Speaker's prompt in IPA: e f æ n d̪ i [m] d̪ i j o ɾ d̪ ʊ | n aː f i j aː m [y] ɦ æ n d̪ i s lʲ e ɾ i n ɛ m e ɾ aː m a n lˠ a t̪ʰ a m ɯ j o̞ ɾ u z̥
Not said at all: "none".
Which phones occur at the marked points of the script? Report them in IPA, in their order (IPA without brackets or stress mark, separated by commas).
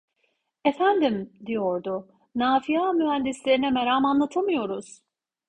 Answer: m, y